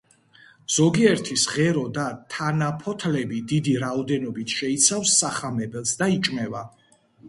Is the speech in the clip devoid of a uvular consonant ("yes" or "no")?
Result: no